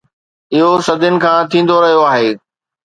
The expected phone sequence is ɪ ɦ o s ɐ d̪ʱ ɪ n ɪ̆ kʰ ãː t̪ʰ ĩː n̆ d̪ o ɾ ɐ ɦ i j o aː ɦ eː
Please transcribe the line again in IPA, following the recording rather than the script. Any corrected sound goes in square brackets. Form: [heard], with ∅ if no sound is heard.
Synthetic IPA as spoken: ɪ ɦ o s ɐ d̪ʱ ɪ n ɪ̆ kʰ ãː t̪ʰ ĩː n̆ d̪ o ɾ ɐ ɦ i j o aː ɦ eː